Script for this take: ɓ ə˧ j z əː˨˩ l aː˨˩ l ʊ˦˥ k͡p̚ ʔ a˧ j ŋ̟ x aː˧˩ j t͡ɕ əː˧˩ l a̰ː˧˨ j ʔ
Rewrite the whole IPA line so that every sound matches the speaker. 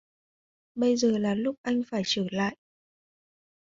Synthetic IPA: ɓ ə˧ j z əː˨˩ l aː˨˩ l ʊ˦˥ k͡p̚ ʔ a˧ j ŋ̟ f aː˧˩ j t͡ɕ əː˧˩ l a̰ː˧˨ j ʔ